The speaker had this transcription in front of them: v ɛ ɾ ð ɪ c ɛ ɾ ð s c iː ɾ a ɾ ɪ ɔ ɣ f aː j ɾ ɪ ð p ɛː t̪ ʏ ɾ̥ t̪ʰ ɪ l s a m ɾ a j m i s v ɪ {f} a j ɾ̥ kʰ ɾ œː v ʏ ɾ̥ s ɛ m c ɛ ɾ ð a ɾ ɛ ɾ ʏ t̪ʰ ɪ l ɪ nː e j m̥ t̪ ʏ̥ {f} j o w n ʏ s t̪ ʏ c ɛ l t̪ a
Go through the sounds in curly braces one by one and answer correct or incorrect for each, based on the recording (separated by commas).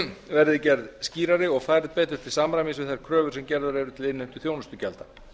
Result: incorrect, incorrect